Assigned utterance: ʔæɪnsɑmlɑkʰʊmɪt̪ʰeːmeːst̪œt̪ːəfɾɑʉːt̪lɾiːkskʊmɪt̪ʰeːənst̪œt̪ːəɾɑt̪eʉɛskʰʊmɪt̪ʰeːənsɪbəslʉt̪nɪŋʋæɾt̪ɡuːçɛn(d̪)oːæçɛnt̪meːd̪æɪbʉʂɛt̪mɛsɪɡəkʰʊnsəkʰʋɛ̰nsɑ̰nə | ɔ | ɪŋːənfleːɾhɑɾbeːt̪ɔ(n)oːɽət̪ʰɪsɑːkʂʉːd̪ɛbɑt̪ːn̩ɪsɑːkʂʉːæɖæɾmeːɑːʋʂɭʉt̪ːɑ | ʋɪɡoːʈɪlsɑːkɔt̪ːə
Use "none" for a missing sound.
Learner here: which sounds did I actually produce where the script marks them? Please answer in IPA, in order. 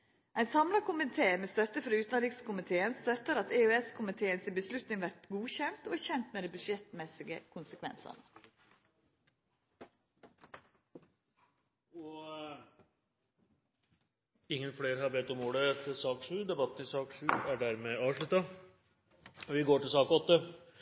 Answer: t̪, m

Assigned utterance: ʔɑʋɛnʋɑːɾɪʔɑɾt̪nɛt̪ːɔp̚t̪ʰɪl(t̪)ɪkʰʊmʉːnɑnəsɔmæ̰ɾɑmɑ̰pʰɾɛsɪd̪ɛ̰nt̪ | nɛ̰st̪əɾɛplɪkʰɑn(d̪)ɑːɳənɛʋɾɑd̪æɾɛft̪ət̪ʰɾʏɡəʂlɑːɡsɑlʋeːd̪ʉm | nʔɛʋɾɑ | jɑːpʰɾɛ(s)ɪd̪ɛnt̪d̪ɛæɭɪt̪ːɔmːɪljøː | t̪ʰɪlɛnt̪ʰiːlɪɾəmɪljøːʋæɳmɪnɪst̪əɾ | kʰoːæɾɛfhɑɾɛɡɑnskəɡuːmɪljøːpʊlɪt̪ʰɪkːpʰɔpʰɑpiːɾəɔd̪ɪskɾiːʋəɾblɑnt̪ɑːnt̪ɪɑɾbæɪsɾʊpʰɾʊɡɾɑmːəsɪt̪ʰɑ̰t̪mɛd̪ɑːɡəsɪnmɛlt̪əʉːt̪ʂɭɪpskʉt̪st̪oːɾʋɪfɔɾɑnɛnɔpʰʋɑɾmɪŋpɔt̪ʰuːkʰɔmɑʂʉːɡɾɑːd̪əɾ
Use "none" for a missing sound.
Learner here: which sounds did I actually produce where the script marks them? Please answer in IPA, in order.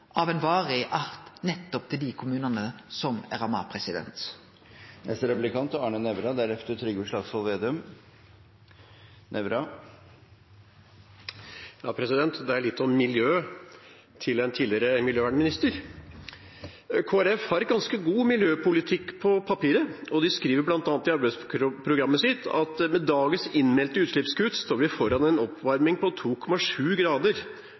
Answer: d̪, t̪, s

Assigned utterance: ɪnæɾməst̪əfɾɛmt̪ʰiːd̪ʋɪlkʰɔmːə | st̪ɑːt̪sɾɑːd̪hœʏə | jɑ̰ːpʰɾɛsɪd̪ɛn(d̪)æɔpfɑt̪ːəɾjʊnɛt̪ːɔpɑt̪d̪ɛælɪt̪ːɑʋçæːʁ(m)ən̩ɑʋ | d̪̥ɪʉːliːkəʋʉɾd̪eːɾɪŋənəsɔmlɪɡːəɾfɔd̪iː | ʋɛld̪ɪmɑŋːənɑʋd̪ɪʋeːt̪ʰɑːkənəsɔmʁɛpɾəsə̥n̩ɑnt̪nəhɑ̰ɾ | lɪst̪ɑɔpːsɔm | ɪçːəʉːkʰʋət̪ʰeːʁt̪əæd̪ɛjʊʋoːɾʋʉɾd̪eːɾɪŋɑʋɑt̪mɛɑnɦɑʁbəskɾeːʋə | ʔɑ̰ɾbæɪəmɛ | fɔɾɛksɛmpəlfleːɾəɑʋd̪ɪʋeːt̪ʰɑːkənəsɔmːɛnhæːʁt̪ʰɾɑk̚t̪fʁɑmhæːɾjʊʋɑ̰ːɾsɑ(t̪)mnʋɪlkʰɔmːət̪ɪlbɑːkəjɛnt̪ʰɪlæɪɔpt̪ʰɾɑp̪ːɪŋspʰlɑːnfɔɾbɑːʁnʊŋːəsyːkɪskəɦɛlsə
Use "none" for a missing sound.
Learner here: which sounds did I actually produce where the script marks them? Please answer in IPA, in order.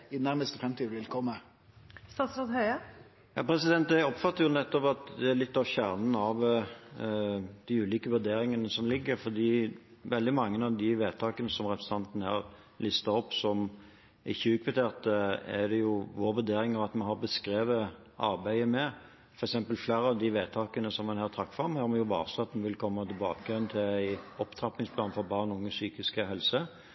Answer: t̪, n, t̪

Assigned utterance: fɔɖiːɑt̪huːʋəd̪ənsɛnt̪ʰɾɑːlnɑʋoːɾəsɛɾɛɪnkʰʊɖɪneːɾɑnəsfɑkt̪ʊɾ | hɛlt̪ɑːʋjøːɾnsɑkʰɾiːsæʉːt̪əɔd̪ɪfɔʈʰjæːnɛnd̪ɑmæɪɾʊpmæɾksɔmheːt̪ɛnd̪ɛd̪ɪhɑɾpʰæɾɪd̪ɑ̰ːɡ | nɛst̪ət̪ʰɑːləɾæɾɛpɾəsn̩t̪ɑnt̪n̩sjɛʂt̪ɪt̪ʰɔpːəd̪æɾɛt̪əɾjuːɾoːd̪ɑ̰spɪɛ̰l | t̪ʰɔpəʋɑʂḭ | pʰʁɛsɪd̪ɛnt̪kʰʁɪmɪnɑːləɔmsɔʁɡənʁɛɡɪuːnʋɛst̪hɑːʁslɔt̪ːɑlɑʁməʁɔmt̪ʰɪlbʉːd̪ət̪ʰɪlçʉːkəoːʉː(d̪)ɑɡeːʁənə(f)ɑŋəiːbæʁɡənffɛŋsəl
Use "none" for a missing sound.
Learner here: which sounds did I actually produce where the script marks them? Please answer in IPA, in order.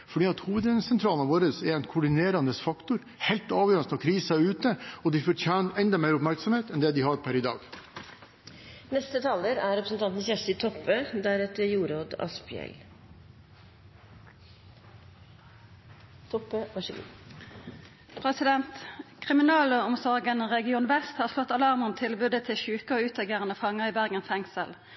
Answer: t̪, f

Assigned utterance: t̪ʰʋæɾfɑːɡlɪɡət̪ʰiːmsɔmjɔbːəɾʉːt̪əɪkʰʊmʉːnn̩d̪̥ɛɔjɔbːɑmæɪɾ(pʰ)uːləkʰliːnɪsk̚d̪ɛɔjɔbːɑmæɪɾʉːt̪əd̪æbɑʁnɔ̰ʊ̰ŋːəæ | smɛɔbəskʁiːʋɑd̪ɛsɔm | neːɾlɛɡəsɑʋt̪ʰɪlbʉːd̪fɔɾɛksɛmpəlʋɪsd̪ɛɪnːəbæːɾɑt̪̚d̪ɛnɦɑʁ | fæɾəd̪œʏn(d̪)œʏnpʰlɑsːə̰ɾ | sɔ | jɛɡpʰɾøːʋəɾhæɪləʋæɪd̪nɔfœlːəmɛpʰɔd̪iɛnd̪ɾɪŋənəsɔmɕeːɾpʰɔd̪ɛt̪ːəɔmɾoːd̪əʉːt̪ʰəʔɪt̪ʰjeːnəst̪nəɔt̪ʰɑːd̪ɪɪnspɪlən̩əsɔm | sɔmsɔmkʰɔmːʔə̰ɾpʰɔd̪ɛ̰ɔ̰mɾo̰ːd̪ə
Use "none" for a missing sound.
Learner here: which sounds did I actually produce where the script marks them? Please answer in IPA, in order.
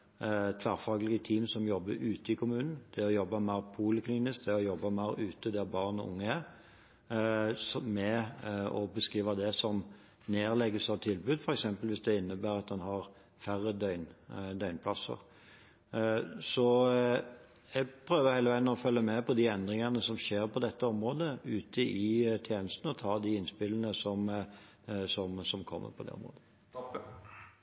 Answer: pʰ, d̪

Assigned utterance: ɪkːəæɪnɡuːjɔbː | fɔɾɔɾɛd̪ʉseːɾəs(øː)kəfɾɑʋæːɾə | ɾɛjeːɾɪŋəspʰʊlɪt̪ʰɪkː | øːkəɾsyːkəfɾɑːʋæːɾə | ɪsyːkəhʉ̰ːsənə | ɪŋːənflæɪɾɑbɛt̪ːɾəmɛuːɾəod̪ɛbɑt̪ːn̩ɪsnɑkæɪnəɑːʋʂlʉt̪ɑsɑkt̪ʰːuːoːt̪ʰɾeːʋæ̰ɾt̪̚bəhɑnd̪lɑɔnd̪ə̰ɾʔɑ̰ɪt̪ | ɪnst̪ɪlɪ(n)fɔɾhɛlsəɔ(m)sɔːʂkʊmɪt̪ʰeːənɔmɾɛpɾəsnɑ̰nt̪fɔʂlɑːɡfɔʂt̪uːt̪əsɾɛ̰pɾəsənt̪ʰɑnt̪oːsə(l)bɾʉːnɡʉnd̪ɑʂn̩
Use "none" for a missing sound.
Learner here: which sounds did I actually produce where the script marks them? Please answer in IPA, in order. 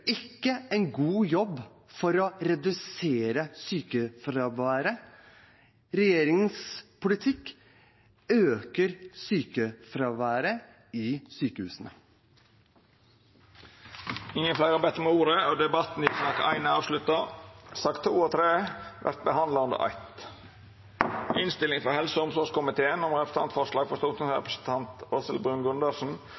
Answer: yː, ŋ, m, l

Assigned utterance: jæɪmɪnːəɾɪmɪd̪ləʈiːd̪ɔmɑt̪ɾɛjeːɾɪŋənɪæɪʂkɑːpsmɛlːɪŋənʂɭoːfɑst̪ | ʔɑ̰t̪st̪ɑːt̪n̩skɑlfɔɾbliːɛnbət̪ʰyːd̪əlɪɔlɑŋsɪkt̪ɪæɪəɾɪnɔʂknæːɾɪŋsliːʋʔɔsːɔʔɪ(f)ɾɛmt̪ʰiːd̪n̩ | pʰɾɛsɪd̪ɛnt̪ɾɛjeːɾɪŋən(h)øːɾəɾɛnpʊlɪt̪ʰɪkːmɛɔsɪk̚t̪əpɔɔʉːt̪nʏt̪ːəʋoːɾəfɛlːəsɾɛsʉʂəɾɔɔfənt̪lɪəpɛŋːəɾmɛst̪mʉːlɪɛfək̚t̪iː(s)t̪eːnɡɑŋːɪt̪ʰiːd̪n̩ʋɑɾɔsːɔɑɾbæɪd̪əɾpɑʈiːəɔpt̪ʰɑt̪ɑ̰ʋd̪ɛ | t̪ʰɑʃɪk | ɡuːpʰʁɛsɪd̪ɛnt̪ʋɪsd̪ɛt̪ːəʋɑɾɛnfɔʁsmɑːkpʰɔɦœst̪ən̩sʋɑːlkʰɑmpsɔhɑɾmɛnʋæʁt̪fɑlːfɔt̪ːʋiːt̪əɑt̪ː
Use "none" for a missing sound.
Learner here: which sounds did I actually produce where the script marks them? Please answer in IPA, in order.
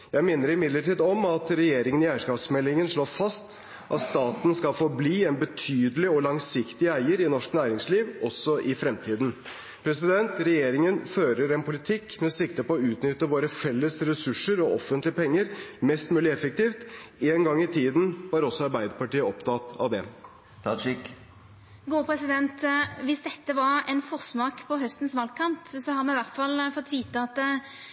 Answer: f, f, f

